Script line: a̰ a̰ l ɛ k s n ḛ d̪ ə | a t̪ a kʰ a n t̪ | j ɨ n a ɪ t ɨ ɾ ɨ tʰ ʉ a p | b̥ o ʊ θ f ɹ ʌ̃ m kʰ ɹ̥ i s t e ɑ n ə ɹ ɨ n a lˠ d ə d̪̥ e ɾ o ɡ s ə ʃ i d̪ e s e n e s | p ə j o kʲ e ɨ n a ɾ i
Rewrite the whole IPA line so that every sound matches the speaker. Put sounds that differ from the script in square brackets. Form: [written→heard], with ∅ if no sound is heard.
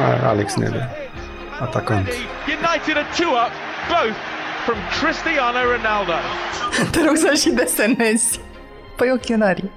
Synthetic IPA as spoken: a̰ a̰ l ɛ k s n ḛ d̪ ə | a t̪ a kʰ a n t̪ | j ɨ n a ɪ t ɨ ɾ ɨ tʰ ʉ [a→ʌ] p | b̥ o ʊ θ f ɹ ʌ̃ m kʰ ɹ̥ [i→ɪ] s t [e→i] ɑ n ə ɹ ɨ n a lˠ d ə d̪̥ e ɾ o ɡ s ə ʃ i d̪ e s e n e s | p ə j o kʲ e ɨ n a ɾ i